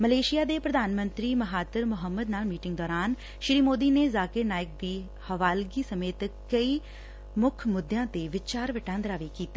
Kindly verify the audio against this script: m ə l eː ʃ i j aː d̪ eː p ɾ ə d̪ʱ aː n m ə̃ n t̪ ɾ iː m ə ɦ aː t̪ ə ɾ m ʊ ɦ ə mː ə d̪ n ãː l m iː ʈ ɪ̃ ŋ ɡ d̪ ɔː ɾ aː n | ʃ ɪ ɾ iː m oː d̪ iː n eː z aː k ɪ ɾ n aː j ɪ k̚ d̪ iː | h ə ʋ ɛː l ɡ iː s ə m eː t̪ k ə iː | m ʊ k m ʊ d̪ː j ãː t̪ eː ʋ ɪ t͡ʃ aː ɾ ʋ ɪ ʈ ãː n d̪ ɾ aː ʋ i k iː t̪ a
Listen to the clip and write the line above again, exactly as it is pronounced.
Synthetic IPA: m ə l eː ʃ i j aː d̪ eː p ɾ ə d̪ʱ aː n m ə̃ n t̪ ɾ iː m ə ɦ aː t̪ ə ɾ m ʊ ɦ ə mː ə d̪ n aː l m iː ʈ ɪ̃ ŋ ɡ d̪ ɔː ɾ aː n | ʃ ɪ ɾ iː m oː d̪ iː n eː z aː k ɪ ɾ n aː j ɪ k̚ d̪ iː | h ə ʋ aː l ɡ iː s ə m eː t̪ k ə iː | m ʊ kʰ m ʊ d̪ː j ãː t̪ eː ʋ ɪ t͡ʃ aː ɾ ʋ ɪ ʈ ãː n d̪ ɾ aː ʋ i k iː t̪ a